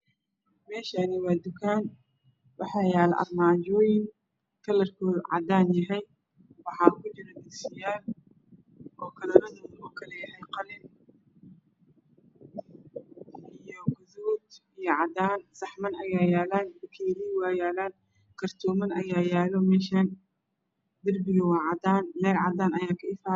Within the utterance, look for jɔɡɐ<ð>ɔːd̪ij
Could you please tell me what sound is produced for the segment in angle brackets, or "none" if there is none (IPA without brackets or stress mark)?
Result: ð